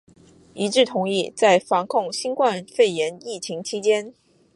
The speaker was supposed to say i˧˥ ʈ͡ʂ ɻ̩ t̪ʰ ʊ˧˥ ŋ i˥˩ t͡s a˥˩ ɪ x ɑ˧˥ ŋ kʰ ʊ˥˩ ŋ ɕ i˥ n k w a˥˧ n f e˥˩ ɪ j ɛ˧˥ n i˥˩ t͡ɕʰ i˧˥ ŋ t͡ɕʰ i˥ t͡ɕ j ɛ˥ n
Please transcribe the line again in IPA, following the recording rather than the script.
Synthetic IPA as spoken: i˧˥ ʈ͡ʂ ɻ̩ t̪ʰ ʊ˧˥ ŋ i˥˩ t͡s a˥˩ ɪ f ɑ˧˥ ŋ kʰ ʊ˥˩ ŋ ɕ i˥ n k w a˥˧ n f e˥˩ ɪ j ɛ˧˥ n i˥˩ t͡ɕʰ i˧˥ ŋ t͡ɕʰ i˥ t͡ɕ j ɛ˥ n